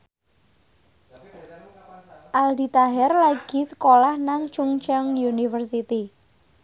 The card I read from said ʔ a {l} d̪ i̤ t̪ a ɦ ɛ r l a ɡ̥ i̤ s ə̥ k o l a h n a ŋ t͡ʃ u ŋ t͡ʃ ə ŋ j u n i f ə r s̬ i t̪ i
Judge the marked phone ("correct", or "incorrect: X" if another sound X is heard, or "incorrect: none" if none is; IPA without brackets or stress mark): correct